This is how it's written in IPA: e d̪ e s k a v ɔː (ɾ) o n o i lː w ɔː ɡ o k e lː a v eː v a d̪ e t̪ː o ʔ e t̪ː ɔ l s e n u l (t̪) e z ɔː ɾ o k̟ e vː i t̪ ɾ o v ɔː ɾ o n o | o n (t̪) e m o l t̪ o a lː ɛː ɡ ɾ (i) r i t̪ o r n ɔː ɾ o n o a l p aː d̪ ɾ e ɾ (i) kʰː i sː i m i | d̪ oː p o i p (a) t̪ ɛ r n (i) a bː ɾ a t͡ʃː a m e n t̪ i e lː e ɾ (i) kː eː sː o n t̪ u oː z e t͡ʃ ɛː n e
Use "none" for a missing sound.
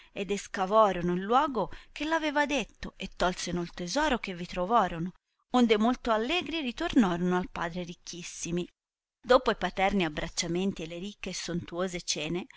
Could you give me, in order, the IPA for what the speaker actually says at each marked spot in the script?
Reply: ɾ, t̪, d̪, i, i, a, i, i

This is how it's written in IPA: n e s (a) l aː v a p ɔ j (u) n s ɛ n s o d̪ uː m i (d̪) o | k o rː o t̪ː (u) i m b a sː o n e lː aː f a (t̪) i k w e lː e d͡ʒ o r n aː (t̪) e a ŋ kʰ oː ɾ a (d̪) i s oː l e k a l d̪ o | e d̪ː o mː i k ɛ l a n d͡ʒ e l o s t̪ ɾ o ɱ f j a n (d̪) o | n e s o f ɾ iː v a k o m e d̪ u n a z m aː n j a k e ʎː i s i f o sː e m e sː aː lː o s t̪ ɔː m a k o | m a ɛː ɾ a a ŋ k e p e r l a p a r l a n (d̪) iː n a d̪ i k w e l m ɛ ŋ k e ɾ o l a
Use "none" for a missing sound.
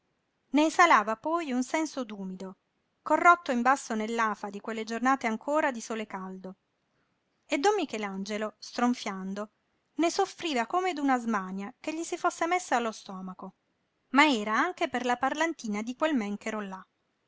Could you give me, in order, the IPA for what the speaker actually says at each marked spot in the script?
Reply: a, u, d̪, o, d̪, t̪, d̪, d̪, t̪

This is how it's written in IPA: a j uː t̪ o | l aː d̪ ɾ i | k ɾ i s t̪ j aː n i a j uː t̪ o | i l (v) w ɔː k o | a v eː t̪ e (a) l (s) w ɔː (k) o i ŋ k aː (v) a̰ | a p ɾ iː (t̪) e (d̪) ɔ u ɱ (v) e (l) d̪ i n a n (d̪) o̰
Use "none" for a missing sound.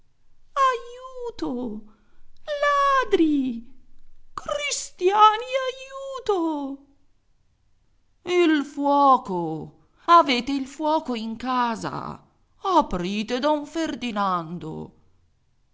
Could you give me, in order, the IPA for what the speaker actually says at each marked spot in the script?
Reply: f, i, f, k, z, t̪, d̪, f, r, d̪

